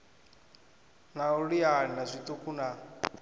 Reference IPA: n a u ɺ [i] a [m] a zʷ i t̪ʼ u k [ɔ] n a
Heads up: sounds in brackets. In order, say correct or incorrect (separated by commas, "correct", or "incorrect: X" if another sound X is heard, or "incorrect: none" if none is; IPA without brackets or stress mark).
correct, incorrect: n, incorrect: u